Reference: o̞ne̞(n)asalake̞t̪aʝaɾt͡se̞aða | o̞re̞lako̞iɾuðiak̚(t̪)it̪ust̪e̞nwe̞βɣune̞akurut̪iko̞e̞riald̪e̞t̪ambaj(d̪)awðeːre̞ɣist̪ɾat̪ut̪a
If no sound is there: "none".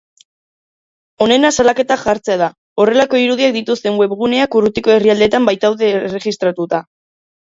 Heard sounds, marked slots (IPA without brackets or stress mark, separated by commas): n, d̪, t̪